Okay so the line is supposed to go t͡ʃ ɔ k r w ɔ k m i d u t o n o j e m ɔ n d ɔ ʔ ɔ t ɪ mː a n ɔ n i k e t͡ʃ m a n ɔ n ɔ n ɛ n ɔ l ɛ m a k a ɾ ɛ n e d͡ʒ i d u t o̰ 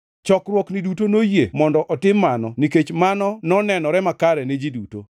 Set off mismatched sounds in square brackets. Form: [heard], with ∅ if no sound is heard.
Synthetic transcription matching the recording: t͡ʃ ɔ k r w ɔ k [n] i d u t o n o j e m ɔ n d ɔ ʔ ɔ t ɪ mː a n ɔ n i k e t͡ʃ m a n ɔ n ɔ n ɛ n ɔ [ɾ] ɛ m a k a ɾ ɛ n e d͡ʒ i d u t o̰